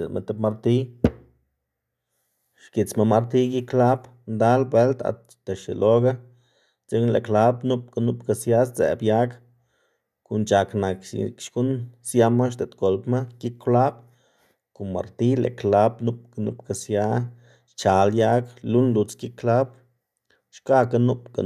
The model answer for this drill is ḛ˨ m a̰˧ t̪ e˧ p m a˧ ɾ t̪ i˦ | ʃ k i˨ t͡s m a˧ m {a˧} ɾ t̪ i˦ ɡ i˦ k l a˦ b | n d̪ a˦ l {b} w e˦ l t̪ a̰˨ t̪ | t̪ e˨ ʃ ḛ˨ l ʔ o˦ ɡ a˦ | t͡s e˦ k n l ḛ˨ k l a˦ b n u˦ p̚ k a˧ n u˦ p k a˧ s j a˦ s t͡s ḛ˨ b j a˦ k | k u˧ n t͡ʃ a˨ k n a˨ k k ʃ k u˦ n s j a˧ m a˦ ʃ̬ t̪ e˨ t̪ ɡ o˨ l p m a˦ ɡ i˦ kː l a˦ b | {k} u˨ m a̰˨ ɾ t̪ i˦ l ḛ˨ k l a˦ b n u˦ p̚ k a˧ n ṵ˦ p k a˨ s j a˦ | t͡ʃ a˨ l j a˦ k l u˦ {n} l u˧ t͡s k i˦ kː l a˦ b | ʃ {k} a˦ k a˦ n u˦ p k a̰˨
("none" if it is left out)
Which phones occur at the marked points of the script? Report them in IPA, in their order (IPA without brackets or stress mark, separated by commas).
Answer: a˧, b, k, n, k